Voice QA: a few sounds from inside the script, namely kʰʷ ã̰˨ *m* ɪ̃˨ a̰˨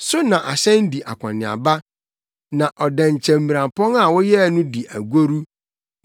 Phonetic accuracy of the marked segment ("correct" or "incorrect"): incorrect